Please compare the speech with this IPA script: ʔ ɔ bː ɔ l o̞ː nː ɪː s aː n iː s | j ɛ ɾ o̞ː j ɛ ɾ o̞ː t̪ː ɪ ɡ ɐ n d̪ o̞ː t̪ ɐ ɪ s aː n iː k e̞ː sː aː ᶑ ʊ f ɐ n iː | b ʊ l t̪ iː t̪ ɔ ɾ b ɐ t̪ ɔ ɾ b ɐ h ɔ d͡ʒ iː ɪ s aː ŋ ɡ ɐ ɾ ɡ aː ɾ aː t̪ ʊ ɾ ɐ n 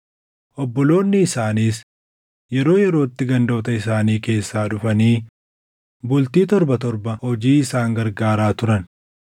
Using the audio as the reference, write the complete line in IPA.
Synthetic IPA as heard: ʔ ɔ bː ɔ l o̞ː nː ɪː s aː n iː s | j ɛ ɾ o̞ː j ɛ ɾ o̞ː t̪ː ɪ ɡ ɐ n d̪ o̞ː t̪ ɐ ɪ s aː n iː k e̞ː sː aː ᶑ ʊ f ɐ n iː | b ʊ l t̪ iː t̪ ɔ ɾ b ɐ t̪ ɔ ɾ b ɐ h ɔ d͡ʒ iː ɪ s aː ŋ ɡ ɐ ɾ ɡ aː ɾ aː t̪ ʊ ɾ ɐ n